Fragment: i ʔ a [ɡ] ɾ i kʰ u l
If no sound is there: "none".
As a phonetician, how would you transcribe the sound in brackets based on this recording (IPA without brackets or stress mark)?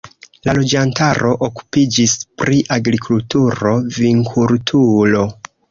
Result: ɡ